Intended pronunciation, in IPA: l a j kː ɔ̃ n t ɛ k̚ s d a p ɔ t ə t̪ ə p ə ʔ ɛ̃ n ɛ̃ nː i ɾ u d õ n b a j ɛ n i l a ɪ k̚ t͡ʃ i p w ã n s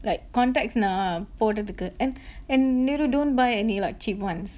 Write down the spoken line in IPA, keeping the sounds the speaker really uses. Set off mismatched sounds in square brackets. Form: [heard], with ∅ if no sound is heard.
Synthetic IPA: l a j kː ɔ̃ n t ɛ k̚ s [n] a p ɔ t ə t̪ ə [k] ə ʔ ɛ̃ n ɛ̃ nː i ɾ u d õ n b a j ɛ n i l a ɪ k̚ t͡ʃ i p w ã n s